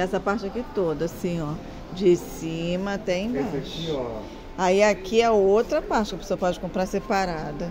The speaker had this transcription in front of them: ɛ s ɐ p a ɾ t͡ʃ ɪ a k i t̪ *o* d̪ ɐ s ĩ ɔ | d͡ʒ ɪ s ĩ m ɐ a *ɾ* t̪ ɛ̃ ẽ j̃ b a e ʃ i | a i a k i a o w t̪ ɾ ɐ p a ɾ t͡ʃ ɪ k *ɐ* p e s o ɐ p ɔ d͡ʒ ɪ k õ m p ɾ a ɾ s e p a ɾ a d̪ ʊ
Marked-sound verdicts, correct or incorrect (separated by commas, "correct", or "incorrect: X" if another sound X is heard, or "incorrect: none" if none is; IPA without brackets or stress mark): correct, incorrect: none, correct